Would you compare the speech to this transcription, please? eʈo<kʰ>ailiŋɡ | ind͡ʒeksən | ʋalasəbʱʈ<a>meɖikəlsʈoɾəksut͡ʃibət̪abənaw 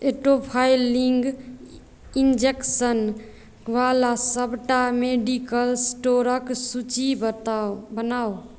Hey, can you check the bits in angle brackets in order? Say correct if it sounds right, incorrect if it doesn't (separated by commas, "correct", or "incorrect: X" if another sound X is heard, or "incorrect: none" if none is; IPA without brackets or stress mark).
incorrect: pʰ, correct